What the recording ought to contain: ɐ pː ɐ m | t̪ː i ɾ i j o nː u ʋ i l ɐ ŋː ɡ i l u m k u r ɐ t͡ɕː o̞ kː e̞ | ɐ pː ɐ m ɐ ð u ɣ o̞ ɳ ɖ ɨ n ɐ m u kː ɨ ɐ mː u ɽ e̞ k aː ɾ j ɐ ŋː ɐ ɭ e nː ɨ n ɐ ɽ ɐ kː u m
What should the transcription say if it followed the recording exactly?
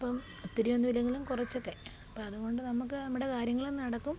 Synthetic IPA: ɐ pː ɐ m | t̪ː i ɾ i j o nː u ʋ i l ɐ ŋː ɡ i l u m k u r ɐ t͡ɕː o̞ kː e̞ | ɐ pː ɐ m ɐ ð u ɣ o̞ ɳ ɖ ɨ n ɐ m u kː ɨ ɐ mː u ɽ e̞ k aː ɾ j ɐ ŋː ɐ ɭ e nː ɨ n ɐ ɽ ɐ kː u m